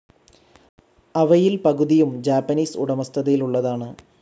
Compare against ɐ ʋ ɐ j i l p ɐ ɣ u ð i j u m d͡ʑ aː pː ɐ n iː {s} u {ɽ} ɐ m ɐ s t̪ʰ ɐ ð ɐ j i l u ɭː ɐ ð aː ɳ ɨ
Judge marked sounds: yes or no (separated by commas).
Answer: yes, yes